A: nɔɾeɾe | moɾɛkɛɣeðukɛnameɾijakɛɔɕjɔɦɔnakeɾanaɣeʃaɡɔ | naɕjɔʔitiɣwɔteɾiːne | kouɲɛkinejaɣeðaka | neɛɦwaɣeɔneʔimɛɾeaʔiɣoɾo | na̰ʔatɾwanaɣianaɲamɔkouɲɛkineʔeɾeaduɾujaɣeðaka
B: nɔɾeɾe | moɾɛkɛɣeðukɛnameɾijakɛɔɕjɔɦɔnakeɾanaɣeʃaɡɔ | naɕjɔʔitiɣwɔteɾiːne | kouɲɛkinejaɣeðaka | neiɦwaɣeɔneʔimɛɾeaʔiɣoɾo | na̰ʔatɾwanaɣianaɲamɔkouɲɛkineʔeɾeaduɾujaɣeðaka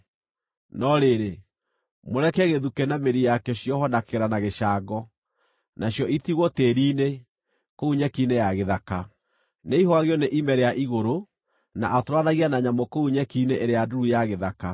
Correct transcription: B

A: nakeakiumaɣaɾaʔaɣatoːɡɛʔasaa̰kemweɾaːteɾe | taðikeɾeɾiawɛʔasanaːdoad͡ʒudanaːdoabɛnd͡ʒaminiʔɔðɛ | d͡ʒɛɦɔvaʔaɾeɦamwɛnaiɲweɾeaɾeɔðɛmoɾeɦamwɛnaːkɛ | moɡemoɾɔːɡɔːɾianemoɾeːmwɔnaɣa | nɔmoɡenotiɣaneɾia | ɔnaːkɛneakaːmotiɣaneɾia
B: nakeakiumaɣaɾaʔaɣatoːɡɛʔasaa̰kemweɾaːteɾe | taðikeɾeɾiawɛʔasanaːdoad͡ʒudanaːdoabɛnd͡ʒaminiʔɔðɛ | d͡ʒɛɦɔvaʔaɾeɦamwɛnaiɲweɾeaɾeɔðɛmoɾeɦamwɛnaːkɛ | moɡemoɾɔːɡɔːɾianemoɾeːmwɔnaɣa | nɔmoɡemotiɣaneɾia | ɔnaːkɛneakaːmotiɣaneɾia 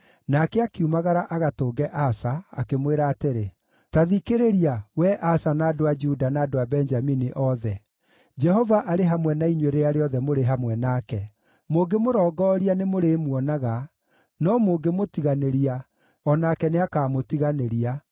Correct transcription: B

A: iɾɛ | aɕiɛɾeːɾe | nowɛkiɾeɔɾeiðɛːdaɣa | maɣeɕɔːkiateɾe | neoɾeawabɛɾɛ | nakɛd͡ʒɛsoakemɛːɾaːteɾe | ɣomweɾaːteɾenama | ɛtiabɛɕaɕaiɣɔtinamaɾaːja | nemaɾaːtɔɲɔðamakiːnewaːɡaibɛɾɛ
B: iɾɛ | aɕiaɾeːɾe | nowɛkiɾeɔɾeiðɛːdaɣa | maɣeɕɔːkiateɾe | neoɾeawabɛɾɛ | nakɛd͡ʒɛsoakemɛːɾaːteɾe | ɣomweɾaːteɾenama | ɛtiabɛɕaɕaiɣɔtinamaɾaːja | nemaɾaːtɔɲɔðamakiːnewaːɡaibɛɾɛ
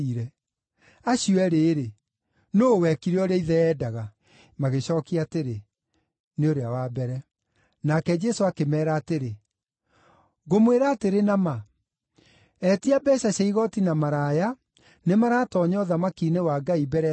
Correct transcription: A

